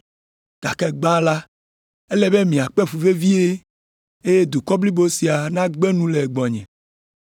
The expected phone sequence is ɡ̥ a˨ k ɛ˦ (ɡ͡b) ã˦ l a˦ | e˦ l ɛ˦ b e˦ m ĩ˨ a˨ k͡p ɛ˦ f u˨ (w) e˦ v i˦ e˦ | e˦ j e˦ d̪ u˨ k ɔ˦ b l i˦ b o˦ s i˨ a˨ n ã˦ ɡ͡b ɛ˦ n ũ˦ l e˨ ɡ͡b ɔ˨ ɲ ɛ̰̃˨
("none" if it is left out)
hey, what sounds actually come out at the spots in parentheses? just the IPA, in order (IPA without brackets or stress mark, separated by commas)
ɡ͡b, v